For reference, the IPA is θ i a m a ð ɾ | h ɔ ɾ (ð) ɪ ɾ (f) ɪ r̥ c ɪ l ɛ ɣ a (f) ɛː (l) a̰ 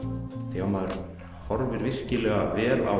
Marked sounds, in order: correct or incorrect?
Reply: incorrect, incorrect, incorrect, correct

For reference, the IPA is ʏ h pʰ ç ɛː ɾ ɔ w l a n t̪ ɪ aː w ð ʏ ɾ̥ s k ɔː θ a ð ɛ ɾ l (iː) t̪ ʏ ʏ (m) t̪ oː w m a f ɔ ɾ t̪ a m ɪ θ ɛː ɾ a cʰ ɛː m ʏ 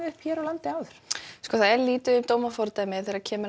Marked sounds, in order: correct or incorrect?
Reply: correct, correct

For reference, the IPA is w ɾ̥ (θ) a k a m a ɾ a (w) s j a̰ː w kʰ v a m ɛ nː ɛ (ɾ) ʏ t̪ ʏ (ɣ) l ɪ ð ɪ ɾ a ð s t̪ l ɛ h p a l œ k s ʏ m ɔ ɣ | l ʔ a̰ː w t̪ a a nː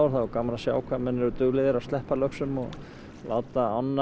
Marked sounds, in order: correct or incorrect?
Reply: correct, incorrect, correct, correct

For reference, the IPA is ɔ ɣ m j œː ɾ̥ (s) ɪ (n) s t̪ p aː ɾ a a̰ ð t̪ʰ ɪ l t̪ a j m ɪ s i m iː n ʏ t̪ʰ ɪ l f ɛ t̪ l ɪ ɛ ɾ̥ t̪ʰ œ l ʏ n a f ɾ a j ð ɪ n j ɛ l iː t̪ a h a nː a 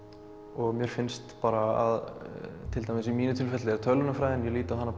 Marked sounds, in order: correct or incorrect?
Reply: incorrect, correct

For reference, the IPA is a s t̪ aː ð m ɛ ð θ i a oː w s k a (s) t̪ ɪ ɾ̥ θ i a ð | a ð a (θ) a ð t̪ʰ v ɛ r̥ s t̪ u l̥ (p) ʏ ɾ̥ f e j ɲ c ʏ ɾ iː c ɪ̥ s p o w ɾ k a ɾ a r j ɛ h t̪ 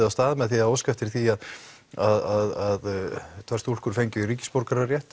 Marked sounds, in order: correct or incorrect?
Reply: incorrect, incorrect, incorrect

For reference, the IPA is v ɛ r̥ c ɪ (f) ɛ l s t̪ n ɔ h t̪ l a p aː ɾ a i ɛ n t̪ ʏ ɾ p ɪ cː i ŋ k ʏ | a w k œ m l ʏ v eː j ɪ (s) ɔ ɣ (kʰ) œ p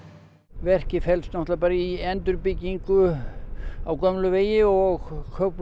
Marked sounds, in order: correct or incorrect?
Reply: correct, incorrect, correct

